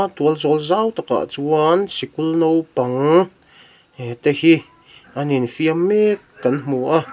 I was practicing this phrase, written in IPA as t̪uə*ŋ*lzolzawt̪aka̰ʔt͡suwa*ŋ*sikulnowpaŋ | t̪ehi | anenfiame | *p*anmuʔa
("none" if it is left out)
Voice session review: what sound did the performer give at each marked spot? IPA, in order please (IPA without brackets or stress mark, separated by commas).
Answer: none, n, k